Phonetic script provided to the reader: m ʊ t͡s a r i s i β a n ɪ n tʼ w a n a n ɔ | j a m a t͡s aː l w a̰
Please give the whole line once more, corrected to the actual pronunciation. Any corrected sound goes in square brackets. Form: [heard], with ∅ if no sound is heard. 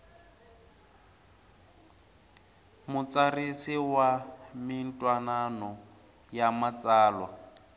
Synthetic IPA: m ʊ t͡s a r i s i [w] a [m] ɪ n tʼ w a n a n ɔ | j a m a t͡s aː l w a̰